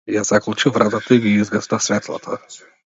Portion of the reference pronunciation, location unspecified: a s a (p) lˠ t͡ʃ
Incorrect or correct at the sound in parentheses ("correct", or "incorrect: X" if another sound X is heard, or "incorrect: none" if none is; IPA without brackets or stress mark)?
incorrect: k